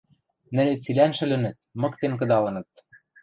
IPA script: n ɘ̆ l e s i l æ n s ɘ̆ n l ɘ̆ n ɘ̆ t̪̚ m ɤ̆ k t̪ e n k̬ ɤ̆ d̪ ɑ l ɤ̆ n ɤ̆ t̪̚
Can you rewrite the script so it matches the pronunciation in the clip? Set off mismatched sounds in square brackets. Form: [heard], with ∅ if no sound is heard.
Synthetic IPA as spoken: n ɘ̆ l e [t͡s] i l æ n [ʃ] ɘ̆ [∅] l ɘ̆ n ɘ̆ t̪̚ m ɤ̆ k t̪ e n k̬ ɤ̆ d̪ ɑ l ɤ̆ n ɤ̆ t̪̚